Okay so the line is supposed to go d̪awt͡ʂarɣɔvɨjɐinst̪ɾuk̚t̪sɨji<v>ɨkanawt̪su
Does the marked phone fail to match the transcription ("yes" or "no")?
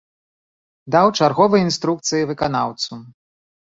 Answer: no